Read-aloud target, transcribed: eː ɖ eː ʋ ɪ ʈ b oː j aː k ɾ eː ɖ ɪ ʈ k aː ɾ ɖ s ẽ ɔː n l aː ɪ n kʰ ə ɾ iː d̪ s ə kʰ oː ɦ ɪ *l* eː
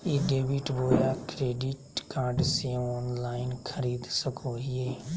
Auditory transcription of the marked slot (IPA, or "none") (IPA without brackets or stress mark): none